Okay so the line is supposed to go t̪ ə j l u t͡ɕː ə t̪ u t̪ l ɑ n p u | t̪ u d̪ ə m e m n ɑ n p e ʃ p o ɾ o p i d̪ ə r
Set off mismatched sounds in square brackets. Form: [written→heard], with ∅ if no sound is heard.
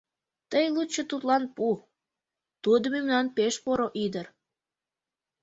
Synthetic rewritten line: t̪ ə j l u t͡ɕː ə t̪ u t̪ l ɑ n p u | t̪ u d̪ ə m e m n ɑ n p e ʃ p o ɾ o [p→ʔ] i d̪ ə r